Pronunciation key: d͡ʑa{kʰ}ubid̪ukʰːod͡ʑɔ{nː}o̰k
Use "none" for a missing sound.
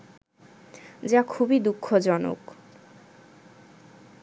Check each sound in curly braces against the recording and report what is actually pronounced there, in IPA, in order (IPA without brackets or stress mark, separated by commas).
kʰ, n